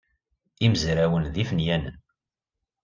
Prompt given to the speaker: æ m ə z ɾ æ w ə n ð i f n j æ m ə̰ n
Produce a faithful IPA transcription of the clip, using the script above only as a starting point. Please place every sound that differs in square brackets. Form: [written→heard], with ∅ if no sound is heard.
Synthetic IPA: [æ→i] m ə z ɾ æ w ə n ð i f n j æ [m→n] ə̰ n